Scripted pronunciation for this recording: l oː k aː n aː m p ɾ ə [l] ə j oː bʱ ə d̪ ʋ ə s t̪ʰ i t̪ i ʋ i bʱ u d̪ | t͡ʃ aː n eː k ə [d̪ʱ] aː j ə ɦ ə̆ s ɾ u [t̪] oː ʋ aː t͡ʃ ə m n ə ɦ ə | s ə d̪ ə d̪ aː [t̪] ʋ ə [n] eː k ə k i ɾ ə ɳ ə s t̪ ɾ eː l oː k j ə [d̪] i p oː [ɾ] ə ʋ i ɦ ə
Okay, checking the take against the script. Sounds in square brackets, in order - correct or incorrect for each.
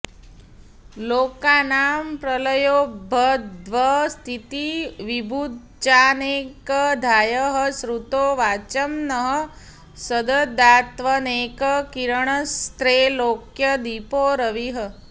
correct, correct, correct, correct, correct, correct, correct

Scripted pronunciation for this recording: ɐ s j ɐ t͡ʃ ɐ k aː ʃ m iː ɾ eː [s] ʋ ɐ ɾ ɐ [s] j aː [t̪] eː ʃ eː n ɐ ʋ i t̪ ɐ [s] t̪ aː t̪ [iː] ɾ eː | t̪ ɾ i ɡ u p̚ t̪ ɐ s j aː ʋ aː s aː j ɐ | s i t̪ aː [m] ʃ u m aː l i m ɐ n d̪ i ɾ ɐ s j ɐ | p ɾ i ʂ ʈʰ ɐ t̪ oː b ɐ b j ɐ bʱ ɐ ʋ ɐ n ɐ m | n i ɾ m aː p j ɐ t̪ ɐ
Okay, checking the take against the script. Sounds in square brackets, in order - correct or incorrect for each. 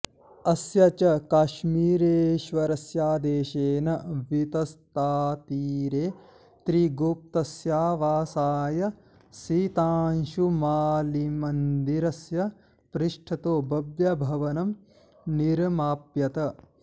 incorrect: ʃ, correct, incorrect: d̪, correct, correct, incorrect: n

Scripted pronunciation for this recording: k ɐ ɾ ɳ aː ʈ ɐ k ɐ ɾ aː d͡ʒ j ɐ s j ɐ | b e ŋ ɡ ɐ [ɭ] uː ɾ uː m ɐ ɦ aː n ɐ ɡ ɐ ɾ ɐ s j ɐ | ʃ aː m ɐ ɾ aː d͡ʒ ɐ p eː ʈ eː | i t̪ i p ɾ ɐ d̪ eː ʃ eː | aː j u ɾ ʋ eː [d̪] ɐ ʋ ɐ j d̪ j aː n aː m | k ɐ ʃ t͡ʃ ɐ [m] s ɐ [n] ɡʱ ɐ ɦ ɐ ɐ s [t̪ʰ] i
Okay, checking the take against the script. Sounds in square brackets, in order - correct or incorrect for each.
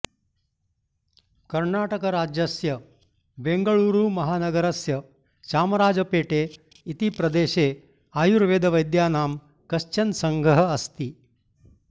correct, correct, incorrect: n, incorrect: ŋ, incorrect: t̪

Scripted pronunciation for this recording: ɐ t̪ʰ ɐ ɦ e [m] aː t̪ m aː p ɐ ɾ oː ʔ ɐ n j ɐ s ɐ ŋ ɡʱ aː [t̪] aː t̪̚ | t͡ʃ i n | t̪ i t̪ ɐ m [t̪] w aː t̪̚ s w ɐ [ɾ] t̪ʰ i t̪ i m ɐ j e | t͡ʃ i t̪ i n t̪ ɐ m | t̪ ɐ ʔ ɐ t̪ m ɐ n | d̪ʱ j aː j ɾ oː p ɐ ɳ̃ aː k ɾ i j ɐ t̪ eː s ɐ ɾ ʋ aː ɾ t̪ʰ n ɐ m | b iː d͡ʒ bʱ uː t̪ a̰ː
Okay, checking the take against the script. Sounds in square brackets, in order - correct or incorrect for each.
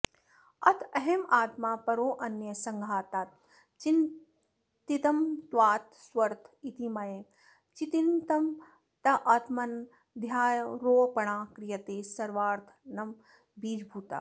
correct, correct, correct, correct

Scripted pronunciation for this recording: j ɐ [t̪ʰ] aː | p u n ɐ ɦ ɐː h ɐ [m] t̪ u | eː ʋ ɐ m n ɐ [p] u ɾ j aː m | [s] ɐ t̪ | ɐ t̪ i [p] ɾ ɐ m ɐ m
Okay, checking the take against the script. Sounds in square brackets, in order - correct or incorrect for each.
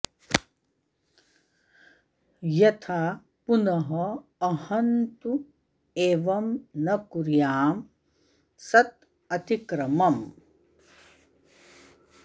correct, incorrect: n, incorrect: k, correct, incorrect: k

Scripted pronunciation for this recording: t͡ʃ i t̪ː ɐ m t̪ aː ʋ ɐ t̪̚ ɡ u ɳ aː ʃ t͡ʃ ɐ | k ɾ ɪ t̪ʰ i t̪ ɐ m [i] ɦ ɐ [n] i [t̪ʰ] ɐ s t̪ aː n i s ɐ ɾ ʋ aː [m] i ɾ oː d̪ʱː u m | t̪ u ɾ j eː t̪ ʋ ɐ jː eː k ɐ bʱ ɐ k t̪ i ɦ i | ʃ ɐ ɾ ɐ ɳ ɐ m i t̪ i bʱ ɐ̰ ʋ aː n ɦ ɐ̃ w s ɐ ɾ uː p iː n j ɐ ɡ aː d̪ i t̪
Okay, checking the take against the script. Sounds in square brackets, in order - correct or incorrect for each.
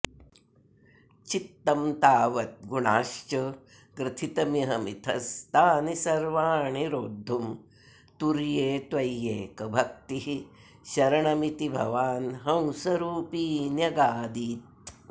correct, incorrect: m, correct, incorrect: ɳ

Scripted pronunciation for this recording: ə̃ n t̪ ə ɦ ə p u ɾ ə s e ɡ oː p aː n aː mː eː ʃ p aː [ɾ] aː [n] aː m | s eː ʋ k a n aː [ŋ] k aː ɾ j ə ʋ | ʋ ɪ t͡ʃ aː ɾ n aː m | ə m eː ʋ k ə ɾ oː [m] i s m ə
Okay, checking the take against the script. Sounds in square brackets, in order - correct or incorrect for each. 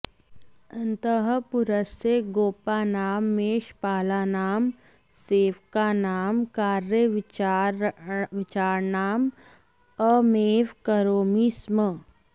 incorrect: l, correct, incorrect: m, correct

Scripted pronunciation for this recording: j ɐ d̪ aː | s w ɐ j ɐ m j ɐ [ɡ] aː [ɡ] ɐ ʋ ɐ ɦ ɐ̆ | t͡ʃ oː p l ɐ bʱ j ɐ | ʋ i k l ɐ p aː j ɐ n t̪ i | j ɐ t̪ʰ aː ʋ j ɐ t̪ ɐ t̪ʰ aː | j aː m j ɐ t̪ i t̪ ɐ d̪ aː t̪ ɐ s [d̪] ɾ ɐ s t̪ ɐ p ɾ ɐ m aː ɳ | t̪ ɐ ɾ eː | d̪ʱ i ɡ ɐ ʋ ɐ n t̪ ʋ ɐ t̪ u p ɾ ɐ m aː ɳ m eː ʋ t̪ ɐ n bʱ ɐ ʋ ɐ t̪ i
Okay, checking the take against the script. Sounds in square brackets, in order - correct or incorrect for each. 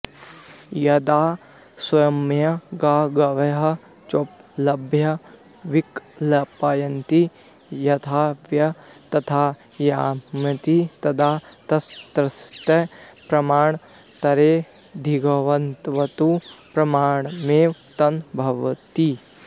correct, correct, incorrect: t̪

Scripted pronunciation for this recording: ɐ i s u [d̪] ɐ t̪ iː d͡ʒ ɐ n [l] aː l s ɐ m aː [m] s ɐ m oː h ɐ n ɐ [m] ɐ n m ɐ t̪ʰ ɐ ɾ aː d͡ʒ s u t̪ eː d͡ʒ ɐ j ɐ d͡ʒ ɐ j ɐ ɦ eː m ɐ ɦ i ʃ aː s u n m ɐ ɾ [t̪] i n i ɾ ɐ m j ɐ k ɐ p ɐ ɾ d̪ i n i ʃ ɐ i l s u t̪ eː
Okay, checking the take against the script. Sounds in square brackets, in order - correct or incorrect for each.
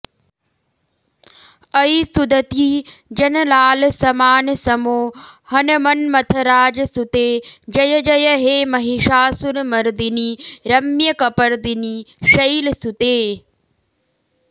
correct, correct, incorrect: n, correct, incorrect: d̪

